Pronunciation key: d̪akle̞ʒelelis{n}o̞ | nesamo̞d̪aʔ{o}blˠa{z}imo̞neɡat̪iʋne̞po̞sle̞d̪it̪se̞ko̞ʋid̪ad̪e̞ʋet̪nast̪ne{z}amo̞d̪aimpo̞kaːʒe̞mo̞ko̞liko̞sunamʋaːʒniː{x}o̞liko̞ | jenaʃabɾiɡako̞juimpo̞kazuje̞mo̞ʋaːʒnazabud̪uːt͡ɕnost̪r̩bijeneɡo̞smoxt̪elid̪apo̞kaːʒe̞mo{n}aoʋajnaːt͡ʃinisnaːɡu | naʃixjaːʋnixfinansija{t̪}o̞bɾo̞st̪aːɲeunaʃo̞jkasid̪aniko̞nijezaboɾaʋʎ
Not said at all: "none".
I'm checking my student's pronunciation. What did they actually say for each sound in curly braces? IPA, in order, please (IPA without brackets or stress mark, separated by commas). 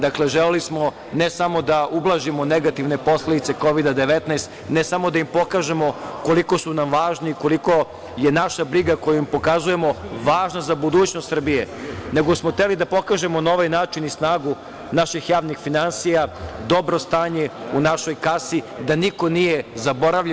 m, u, ʒ, s, k, n, d̪